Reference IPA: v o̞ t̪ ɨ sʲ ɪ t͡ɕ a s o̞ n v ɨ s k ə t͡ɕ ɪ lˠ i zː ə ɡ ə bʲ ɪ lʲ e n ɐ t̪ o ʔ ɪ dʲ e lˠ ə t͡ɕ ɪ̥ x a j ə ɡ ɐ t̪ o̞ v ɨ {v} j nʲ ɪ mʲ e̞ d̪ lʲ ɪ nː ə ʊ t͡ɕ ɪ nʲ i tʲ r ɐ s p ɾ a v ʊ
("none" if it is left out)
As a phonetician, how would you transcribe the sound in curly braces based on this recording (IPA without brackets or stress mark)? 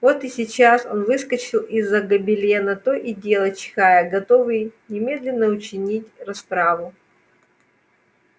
none